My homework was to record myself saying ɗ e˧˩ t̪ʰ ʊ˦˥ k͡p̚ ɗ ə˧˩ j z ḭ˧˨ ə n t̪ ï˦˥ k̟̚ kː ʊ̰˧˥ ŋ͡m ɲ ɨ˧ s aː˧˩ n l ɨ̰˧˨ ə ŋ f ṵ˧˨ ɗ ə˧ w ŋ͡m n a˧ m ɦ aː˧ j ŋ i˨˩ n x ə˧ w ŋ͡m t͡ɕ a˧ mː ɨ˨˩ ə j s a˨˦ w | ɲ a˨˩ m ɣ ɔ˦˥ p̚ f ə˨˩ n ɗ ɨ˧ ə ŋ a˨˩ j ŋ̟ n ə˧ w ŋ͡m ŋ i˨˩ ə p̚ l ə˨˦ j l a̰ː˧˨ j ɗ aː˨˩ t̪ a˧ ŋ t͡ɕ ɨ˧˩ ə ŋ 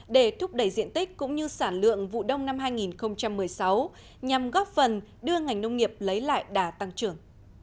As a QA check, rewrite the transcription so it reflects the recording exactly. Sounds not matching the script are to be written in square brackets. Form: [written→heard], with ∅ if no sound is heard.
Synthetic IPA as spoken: ɗ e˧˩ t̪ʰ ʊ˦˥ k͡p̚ ɗ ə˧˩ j z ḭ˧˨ ə n t̪ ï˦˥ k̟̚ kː ʊ̰˧˥ ŋ͡m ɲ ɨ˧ s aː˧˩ n l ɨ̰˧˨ ə ŋ [f→v] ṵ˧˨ ɗ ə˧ w ŋ͡m n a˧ m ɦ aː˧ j ŋ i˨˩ n x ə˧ w ŋ͡m t͡ɕ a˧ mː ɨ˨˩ ə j s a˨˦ w | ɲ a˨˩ m ɣ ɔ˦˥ p̚ f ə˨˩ n ɗ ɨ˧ ə ŋ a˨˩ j ŋ̟ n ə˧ w ŋ͡m ŋ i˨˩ ə p̚ l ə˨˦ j l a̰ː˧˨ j ɗ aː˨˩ t̪ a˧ ŋ t͡ɕ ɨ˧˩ ə ŋ